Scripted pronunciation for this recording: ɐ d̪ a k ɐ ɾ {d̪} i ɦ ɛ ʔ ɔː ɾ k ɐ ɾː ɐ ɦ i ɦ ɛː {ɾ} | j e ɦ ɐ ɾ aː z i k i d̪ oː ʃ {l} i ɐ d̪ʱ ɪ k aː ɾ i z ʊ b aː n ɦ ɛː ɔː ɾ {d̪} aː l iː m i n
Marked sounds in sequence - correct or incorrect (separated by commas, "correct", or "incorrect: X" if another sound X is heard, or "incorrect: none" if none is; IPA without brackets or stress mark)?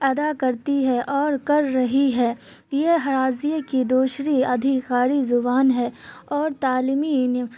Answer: incorrect: t̪, incorrect: none, incorrect: ɾ, incorrect: t̪